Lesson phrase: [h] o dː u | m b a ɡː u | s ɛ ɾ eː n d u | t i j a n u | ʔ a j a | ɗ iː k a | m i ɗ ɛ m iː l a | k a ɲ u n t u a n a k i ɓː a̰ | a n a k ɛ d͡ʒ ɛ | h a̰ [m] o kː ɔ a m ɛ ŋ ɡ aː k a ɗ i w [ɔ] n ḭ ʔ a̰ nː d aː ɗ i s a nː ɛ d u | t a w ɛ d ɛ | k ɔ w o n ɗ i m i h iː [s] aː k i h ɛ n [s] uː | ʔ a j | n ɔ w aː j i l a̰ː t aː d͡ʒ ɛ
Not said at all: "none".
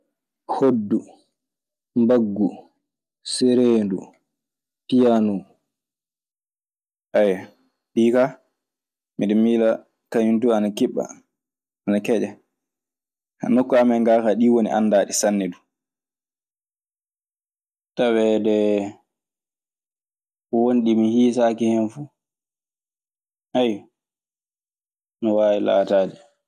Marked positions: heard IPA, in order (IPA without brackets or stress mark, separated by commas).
h, n, o, s, f